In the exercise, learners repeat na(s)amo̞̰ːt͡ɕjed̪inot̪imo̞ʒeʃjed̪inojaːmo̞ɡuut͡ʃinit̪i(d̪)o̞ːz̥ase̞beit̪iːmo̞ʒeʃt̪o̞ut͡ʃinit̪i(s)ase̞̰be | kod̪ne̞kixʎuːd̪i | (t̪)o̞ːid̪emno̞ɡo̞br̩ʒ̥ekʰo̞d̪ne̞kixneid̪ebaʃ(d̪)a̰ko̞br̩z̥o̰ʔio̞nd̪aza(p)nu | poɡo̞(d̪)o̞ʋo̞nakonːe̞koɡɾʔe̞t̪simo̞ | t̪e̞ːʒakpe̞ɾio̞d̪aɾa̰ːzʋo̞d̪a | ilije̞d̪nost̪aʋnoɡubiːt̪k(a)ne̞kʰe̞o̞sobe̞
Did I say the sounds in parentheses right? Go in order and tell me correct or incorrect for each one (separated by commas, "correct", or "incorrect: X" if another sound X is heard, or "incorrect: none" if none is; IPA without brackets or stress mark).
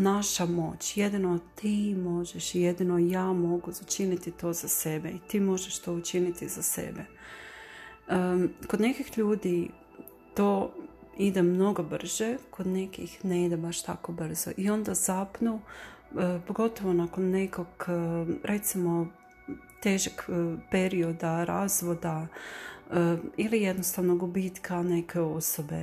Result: incorrect: ʃ, incorrect: t̪, incorrect: z, correct, incorrect: t̪, correct, incorrect: t̪, correct